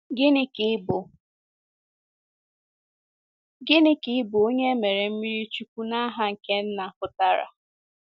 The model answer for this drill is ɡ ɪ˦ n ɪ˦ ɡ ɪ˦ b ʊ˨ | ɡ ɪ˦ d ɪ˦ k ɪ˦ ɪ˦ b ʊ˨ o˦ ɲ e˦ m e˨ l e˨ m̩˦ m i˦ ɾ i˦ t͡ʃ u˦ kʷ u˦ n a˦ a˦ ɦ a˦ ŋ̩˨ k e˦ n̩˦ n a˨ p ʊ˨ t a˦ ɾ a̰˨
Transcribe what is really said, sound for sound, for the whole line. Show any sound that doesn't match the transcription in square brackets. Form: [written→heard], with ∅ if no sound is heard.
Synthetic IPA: ɡ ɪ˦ n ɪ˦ [ɡ→k] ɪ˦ b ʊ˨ | ɡ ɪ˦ [d→n] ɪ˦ k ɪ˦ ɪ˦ b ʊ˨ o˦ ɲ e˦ m e˨ [l→ɾ] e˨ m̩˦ m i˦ ɾ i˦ t͡ʃ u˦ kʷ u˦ n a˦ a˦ ɦ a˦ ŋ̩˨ k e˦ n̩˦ n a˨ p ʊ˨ t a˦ ɾ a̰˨